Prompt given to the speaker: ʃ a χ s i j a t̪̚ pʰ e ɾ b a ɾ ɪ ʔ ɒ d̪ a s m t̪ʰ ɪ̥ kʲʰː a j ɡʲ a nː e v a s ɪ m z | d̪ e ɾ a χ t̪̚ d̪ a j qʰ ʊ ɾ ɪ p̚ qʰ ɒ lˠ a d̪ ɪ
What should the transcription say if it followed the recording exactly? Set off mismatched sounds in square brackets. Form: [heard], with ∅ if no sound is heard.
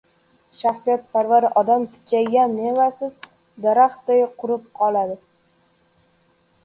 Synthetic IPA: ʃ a χ s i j a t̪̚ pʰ [a] ɾ [v] a ɾ ɪ ʔ ɒ d̪ a [∅] m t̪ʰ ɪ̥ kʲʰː a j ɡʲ a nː e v a s ɪ [∅] z | d̪ [a] ɾ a χ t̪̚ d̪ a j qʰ ʊ ɾ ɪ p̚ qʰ ɒ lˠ a d̪ ɪ